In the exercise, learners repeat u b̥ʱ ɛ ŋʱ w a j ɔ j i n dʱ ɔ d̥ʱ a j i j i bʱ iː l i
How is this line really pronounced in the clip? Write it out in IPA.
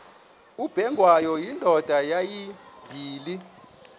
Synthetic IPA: u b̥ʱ ɛ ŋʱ w a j ɔ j i n dʱ ɔ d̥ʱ a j a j i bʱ iː l i